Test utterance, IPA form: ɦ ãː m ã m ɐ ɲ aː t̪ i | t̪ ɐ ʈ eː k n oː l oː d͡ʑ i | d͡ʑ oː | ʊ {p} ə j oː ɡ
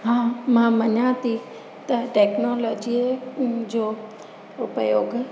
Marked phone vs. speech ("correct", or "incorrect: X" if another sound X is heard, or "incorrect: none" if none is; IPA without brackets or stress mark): correct